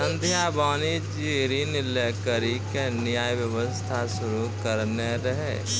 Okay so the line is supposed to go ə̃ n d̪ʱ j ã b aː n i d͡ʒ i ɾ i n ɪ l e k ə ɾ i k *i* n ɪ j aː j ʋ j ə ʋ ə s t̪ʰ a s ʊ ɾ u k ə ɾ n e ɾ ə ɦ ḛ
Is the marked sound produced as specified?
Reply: no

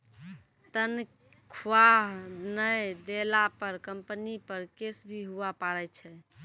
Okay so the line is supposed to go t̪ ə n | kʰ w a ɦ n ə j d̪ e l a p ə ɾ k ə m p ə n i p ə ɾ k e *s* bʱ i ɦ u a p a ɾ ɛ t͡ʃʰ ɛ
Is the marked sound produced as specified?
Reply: yes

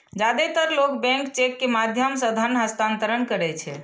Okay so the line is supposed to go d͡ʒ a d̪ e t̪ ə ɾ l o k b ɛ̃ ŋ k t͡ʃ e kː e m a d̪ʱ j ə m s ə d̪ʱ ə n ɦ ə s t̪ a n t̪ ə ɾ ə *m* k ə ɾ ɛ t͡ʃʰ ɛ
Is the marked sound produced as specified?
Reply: no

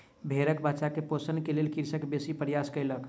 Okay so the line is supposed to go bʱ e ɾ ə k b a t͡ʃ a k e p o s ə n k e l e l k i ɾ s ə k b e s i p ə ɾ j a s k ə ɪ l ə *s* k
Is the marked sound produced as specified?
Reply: no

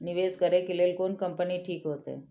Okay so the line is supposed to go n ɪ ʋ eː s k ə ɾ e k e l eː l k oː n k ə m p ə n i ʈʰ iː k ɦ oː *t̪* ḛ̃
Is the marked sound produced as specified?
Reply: yes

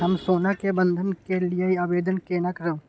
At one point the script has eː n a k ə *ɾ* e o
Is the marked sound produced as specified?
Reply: yes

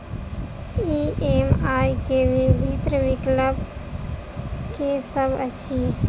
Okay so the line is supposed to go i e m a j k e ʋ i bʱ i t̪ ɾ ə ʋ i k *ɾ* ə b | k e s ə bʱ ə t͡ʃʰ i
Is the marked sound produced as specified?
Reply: no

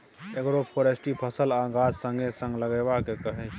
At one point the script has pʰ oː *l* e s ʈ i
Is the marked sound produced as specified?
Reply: no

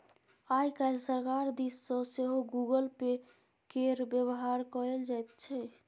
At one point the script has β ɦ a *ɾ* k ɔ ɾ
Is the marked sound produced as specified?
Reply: yes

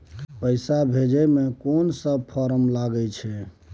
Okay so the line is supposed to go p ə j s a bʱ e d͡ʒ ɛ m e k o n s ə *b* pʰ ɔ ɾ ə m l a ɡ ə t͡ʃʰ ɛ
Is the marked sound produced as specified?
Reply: yes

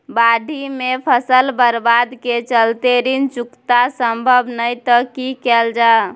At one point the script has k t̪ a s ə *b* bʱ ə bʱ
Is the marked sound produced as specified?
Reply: no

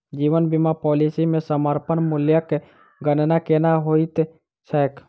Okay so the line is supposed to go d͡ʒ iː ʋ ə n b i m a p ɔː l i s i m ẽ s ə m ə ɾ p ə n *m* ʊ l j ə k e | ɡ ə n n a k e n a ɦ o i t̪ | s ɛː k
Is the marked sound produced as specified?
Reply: yes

